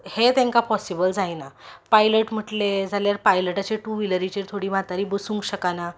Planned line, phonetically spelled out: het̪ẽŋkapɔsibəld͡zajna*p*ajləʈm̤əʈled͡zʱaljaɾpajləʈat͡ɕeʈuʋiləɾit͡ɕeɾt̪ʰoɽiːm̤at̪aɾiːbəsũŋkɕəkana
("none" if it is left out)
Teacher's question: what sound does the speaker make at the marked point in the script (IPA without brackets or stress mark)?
p